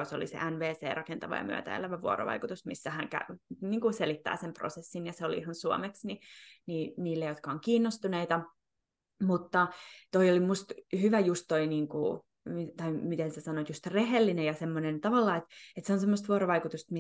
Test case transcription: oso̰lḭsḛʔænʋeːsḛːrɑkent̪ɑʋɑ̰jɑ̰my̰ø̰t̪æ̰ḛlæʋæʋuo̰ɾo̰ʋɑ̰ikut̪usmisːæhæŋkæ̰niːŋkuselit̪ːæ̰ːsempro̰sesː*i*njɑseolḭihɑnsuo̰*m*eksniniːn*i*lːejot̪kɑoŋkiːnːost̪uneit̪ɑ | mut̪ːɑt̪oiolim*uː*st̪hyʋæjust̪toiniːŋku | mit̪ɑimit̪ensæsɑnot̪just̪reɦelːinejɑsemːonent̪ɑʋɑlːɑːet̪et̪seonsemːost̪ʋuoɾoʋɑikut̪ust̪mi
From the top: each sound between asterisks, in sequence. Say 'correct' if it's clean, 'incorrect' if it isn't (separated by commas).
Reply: correct, correct, incorrect, incorrect